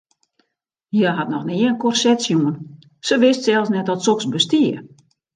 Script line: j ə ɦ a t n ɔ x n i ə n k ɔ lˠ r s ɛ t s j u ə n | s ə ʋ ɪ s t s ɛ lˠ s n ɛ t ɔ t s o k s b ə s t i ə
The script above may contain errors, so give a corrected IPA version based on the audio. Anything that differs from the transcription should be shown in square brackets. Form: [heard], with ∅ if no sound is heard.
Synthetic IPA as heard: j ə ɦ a t n ɔ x n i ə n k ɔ [∅] r s ɛ t s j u ə n | s ə ʋ ɪ s t s ɛ lˠ s n ɛ t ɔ t s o k s b ə s t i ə